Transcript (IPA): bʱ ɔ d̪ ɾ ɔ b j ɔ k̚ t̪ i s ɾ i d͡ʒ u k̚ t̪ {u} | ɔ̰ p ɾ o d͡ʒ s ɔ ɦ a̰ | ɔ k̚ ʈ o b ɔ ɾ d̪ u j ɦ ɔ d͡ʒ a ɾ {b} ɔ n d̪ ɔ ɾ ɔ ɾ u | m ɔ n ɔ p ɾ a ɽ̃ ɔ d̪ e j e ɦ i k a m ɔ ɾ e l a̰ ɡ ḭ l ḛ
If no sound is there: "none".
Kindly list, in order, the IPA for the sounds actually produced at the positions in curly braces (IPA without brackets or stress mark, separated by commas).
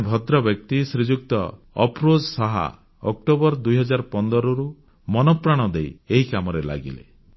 ɔ, p